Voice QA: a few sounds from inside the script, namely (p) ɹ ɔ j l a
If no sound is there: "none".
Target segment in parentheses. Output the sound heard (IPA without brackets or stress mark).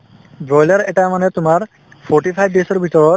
b